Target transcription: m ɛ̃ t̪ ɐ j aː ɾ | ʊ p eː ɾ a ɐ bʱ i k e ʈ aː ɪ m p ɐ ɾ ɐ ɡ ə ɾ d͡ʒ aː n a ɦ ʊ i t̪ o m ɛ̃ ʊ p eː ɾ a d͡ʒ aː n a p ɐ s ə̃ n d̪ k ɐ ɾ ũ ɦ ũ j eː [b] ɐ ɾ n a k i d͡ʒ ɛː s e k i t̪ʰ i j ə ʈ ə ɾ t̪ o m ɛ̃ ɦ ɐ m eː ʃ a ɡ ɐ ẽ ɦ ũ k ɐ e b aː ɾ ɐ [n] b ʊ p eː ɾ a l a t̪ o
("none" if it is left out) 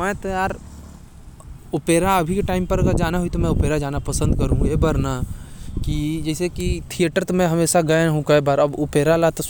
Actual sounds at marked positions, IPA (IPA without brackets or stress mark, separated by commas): b, none